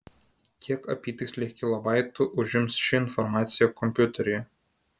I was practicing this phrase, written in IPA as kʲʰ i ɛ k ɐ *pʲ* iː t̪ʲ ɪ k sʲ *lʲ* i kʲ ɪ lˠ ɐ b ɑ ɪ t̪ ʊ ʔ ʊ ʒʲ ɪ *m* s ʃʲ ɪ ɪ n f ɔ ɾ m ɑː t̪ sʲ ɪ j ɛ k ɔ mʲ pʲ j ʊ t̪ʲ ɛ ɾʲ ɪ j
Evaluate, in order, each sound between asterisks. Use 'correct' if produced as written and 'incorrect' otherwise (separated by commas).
correct, correct, correct